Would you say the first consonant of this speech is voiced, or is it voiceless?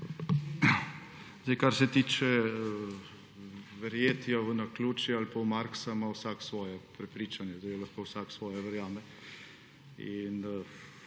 voiced